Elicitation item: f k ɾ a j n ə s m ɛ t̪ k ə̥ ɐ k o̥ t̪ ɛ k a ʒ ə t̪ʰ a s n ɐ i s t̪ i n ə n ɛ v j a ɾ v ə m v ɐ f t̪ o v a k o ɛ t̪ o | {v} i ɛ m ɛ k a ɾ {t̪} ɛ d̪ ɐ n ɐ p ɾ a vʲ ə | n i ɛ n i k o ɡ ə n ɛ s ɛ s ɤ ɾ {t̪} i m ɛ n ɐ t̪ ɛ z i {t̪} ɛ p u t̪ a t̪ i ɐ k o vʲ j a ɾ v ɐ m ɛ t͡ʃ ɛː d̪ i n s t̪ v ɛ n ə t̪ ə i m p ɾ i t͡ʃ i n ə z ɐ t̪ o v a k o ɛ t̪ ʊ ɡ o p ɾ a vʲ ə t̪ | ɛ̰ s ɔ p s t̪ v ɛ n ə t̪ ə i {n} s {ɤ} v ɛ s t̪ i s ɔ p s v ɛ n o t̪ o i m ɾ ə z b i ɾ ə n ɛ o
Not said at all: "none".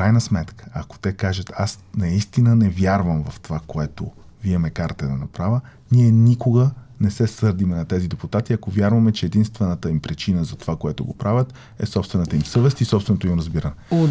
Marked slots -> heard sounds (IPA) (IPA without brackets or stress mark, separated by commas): v, t̪, d̪, d̪, m, ɤ